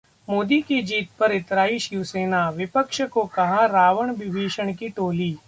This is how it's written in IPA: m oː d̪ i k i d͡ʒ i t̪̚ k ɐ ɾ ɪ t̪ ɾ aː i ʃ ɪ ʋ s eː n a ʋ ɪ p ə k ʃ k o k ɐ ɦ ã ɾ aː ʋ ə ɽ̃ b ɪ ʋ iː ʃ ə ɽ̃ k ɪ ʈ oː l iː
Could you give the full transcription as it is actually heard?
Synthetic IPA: m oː d̪ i k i d͡ʒ iː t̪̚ p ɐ ɾ ɪ t̪ ɾ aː i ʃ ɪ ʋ s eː n a ʋ ɪ p ə k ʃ k o k ɐ ɦ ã ɾ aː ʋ ə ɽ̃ b ɪ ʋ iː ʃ ə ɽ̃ k i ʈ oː l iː